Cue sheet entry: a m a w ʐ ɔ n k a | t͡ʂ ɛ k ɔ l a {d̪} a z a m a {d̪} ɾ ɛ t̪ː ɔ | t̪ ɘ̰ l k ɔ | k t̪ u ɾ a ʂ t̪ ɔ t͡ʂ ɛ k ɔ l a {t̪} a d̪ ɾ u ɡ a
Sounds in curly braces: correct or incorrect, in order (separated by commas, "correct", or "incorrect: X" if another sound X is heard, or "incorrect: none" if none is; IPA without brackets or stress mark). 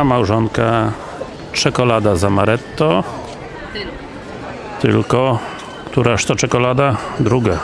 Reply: correct, incorrect: none, incorrect: d̪